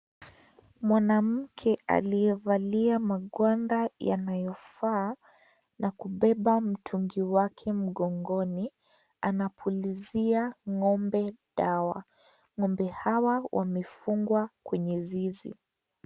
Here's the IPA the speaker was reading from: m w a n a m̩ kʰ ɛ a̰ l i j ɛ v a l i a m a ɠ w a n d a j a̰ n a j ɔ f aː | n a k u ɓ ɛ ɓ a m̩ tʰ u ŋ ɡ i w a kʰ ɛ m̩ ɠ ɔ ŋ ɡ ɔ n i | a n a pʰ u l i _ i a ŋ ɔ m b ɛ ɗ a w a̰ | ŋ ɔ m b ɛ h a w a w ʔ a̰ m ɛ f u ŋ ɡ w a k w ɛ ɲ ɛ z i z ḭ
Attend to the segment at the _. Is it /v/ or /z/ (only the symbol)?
z